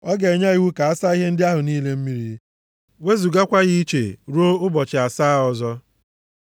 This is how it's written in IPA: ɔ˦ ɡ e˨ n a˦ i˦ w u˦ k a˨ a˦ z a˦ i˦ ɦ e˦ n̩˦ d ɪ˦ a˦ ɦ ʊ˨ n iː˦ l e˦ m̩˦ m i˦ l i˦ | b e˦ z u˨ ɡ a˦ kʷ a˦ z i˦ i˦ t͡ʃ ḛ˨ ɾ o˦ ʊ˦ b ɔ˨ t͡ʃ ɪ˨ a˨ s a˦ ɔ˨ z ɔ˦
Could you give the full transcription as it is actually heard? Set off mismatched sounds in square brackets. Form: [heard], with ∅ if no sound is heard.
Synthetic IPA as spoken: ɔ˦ ɡ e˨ [ɲ] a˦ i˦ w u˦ k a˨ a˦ [s] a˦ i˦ ɦ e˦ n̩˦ d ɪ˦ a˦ ɦ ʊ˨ n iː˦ l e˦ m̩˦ m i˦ [ɾ] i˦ | [w] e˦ z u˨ ɡ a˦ kʷ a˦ [ɣ] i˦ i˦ t͡ʃ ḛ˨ ɾ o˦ ʊ˦ b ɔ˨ t͡ʃ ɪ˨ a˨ s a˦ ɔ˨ z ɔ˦